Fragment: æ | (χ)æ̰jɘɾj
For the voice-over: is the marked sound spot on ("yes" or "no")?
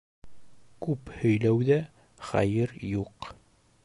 yes